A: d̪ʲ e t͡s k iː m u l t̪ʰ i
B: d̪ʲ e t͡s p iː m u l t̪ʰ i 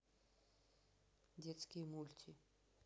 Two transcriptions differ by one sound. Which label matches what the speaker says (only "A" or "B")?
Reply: A